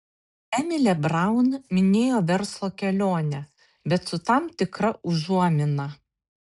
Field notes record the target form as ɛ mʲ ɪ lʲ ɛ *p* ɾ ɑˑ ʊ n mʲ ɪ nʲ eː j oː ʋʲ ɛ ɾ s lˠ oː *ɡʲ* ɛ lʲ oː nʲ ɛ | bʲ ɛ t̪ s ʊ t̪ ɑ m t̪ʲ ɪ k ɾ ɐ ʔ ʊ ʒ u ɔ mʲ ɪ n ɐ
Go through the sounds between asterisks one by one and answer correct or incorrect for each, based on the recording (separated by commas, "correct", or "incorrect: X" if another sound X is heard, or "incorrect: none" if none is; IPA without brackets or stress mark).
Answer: incorrect: b, incorrect: kʲ